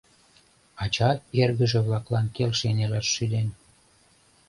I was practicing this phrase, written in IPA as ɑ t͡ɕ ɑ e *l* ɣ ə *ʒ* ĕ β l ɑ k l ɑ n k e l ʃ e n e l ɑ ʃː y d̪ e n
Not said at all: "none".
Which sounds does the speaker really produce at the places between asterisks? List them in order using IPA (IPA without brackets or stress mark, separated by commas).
r, ʒ